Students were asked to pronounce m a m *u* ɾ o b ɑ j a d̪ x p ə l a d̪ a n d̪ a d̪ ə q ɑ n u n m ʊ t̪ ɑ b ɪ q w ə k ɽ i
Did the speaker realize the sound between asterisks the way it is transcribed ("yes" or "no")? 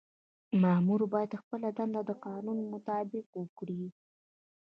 yes